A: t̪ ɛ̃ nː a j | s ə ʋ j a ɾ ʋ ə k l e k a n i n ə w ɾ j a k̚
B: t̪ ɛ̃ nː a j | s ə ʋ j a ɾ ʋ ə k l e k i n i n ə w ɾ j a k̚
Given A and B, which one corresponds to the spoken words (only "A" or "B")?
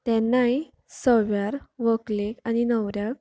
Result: A